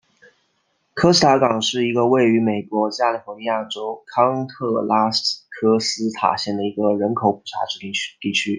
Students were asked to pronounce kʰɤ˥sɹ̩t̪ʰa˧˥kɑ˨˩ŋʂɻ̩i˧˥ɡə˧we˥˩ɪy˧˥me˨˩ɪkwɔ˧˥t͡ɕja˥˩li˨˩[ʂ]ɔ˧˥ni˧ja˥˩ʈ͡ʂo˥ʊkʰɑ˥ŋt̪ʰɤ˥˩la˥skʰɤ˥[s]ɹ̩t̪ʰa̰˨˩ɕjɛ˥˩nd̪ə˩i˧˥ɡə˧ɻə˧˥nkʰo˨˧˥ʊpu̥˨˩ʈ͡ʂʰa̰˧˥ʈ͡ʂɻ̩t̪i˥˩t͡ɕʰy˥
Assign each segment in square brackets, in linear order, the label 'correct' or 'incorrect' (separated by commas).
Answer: incorrect, correct